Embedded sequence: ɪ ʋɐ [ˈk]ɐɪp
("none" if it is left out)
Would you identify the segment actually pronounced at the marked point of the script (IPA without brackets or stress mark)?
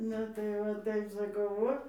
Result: t